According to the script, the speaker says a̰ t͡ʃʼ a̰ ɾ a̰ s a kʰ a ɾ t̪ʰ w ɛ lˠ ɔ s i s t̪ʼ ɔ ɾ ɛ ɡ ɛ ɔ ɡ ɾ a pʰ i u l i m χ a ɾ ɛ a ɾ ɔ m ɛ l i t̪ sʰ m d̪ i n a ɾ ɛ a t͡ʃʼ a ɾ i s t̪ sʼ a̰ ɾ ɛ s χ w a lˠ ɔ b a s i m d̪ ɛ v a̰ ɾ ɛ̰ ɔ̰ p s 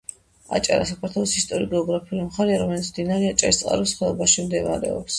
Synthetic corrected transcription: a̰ t͡ʃʼ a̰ ɾ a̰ s a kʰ a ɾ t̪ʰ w ɛ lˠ ɔ s i s t̪ʼ ɔ ɾ i ɡ ɛ ɔ ɡ ɾ a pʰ i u l i m χ a ɾ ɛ a ɾ ɔ m ɛ l i t̪ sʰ m d̪ i n a ɾ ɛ a t͡ʃʼ a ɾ i s t̪ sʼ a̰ ɾ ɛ s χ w ɛ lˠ ɔ b a ʃ i m d̪ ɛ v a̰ ɾ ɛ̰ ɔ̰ p s